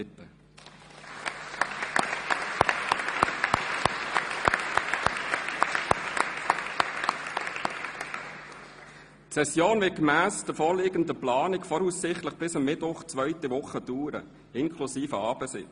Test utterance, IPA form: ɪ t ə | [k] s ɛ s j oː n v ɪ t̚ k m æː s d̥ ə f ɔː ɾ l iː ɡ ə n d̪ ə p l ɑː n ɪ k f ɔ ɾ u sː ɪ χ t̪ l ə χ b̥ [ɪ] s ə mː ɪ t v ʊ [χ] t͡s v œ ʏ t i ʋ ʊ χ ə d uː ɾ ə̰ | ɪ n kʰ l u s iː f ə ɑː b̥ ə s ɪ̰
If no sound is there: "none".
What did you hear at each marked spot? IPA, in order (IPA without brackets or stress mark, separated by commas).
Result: t, ɪ, χ